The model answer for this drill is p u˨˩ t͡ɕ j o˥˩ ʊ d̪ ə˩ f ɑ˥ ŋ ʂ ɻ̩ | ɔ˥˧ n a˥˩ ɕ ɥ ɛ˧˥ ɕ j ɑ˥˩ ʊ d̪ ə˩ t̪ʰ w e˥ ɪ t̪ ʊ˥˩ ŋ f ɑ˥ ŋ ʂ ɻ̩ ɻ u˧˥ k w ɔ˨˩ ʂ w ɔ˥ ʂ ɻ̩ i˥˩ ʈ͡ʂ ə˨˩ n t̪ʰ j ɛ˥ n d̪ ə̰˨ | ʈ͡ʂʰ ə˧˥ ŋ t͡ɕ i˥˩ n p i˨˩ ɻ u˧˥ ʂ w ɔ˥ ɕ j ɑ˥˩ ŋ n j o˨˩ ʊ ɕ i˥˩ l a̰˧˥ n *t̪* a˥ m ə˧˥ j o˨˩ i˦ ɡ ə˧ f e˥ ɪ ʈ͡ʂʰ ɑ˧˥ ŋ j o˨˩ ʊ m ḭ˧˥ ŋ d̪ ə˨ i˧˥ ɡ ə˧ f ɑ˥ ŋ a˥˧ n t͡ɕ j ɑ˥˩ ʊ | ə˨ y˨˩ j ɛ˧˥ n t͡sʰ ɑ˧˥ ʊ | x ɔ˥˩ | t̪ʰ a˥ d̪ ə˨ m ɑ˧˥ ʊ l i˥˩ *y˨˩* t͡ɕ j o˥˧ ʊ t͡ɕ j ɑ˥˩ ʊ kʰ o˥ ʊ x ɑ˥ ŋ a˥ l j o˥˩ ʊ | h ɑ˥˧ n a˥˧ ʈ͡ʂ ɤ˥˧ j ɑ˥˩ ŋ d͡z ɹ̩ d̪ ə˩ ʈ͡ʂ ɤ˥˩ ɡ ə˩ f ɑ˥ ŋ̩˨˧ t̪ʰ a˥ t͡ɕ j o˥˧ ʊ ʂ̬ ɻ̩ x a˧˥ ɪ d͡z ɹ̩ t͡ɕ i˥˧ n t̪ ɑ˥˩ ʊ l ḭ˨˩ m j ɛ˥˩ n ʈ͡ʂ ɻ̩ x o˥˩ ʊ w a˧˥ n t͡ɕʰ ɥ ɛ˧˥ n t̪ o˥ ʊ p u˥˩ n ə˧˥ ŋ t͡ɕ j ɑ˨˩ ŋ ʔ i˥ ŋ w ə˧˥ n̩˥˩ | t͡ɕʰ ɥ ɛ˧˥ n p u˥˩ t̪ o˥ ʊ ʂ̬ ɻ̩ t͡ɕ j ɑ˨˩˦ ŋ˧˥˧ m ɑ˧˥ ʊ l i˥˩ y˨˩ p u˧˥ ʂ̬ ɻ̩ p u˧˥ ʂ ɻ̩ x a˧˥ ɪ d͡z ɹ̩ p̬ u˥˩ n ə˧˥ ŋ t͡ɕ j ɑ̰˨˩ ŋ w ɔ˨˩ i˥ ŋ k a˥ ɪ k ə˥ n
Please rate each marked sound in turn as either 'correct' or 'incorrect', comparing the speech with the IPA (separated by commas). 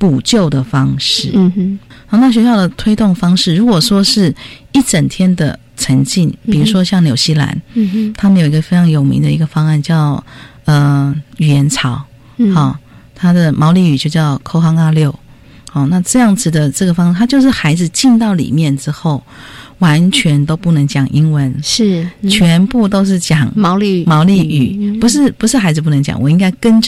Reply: incorrect, correct